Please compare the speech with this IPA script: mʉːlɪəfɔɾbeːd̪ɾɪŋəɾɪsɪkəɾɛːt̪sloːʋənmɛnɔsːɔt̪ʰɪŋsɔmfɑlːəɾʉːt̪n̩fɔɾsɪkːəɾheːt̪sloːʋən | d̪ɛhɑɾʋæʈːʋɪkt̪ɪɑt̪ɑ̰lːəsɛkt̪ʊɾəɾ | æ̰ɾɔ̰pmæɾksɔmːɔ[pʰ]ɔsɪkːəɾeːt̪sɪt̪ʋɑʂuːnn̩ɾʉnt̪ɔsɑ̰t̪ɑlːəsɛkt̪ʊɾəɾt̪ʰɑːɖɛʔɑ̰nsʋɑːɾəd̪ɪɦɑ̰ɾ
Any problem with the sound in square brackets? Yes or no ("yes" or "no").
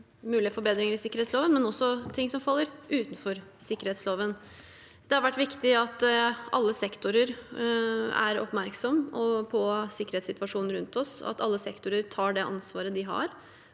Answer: no